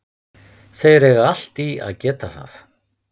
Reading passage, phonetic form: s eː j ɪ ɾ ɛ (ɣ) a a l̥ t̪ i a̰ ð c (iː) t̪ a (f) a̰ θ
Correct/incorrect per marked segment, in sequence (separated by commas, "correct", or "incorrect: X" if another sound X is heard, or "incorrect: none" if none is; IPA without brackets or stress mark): correct, incorrect: ɛː, incorrect: θ